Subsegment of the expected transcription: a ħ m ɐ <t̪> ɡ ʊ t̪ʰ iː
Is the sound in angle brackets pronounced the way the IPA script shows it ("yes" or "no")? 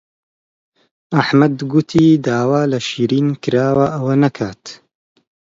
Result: no